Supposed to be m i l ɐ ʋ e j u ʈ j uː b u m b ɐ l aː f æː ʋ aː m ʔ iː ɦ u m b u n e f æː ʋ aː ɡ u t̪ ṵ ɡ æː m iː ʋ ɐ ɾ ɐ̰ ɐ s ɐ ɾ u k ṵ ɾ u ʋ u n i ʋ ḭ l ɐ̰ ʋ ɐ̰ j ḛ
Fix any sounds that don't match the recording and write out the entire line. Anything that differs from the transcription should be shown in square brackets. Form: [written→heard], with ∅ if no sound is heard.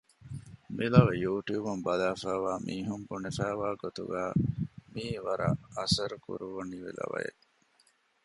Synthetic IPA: m i l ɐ ʋ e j [u→uː] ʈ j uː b u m b ɐ l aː f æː ʋ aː m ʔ iː ɦ u m b u n e f æː ʋ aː ɡ [u→o] t̪ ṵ ɡ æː m iː ʋ ɐ ɾ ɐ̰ ɐ s ɐ ɾ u k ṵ ɾ u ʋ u n i ʋ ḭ l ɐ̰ ʋ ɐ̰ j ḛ